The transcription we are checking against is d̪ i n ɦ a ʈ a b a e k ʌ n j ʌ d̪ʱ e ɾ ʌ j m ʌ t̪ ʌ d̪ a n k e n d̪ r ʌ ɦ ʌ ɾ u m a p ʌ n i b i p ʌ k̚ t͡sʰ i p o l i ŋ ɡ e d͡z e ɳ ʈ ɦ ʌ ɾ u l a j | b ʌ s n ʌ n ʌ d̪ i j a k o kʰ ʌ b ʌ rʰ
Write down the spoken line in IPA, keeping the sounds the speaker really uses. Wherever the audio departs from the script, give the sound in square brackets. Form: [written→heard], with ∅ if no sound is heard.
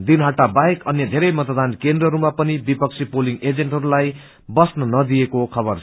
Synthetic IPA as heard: d̪ i n ɦ a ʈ a b a e k ʌ n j ʌ d̪ʱ e ɾ ʌ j m ʌ t̪ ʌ d̪ a n k e n d̪ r ʌ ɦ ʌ ɾ u m a p ʌ n i b i p ʌ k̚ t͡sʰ i p o l i ŋ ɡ e d͡z e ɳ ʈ ɦ ʌ ɾ u l a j | b ʌ s n ʌ n ʌ d̪ i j [a→e] k o kʰ ʌ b ʌ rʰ